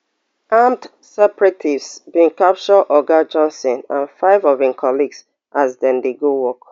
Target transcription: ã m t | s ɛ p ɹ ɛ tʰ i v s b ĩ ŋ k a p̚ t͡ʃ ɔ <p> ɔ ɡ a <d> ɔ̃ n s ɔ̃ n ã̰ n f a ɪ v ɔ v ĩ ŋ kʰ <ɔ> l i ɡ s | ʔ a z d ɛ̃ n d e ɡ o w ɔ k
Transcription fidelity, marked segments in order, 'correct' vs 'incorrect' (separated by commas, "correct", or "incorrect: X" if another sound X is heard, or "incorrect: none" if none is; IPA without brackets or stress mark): incorrect: ʔ, incorrect: d͡ʒ, correct